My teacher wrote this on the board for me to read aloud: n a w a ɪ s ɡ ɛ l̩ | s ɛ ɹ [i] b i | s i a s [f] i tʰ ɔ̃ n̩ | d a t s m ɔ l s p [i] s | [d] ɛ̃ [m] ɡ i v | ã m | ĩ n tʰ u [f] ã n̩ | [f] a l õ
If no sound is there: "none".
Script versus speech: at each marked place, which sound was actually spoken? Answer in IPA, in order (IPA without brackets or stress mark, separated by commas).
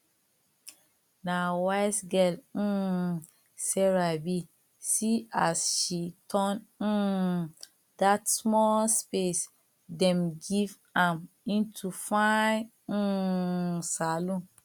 a, ʃ, e, d, m, f, s